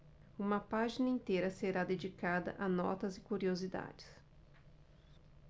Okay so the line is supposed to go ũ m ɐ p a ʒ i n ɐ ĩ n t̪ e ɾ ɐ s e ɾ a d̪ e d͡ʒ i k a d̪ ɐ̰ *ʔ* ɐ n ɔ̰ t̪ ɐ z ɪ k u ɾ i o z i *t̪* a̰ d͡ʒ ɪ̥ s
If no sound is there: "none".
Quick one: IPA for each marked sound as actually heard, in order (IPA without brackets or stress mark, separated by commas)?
ʔ, d̪